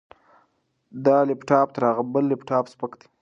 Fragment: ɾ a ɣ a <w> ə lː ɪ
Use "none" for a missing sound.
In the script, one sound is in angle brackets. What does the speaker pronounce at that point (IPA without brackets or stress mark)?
b